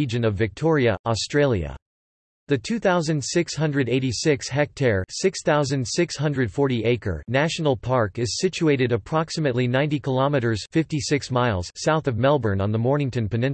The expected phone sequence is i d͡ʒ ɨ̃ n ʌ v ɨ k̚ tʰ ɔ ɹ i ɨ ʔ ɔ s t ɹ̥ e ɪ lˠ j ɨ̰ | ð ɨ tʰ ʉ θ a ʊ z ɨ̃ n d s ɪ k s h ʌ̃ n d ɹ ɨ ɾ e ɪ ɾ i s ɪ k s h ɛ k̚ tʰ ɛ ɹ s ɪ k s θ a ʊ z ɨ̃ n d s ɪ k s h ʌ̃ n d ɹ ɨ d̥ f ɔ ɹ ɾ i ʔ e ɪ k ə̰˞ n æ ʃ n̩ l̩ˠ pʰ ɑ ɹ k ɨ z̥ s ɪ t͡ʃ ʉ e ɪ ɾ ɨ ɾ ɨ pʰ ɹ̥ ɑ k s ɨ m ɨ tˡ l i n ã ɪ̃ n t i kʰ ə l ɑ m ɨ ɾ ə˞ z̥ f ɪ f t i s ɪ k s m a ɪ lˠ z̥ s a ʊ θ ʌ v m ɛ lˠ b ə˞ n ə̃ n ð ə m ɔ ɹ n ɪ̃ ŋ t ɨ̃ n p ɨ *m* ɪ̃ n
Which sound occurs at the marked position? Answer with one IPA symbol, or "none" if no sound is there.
n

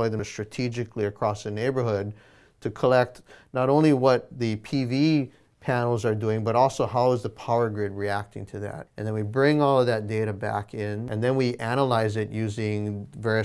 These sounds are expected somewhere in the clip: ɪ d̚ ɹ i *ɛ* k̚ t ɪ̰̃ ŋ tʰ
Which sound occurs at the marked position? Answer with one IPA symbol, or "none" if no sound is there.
æ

